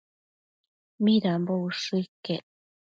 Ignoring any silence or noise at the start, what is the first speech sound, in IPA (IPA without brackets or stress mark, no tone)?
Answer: m